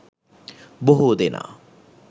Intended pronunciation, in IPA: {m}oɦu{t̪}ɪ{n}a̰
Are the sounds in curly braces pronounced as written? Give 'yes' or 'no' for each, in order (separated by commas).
no, no, yes